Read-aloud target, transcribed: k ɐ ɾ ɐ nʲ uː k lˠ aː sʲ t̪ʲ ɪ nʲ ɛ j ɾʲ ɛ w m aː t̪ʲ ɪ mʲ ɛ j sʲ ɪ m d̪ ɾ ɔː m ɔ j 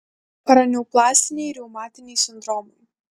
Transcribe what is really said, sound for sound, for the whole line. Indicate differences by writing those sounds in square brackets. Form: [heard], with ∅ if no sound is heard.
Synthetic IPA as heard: [p] ɐ ɾ ɐ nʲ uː [p] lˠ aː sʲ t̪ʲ ɪ nʲ ɛ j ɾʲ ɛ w m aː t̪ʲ ɪ [nʲ] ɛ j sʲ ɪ [n] d̪ ɾ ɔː m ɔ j